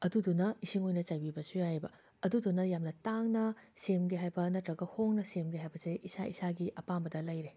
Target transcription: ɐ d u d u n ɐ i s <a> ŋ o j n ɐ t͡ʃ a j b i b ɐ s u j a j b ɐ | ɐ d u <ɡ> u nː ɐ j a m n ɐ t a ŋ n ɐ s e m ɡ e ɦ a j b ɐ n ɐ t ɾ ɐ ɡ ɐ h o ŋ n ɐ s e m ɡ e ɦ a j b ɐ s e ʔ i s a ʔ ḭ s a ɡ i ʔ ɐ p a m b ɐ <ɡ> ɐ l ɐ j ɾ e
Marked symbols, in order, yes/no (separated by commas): no, no, no